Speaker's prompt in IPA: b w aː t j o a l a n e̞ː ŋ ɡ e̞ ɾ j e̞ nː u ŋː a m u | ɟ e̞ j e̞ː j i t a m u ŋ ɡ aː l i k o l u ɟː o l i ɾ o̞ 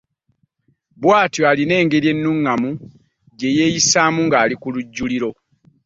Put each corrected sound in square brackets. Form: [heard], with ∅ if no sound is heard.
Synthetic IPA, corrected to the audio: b w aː t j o a l [i] n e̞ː ŋ ɡ e̞ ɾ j e̞ nː u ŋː a m u | ɟ e̞ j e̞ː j i [s] a m u ŋ ɡ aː l i k [u] l u ɟː [u] l i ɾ o̞